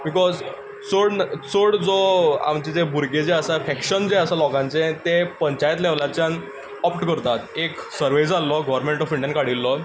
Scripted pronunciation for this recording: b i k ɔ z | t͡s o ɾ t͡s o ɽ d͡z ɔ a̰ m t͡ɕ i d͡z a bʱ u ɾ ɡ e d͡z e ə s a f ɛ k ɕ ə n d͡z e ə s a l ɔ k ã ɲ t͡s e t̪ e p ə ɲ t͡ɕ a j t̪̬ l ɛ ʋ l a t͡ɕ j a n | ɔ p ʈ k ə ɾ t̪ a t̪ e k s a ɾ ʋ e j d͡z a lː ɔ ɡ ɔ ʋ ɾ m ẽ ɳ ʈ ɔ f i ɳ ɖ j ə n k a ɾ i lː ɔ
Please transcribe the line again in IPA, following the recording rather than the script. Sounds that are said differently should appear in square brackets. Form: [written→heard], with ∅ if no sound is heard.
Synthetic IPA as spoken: b i k ɔ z | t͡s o [ɾ→ɽ] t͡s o ɽ d͡z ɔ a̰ m t͡ɕ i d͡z [a→e] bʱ u ɾ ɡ e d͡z e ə s a f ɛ k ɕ ə n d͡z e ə s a l ɔ k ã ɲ t͡s e t̪ e p ə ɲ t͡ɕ a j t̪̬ l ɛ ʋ l a t͡ɕ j a n | ɔ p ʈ k ə ɾ t̪ a t̪ e k s [a→ə] ɾ ʋ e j d͡z a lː ɔ ɡ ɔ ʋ ɾ m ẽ ɳ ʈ ɔ f i ɳ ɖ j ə n k a [ɾ→ɽ] i lː ɔ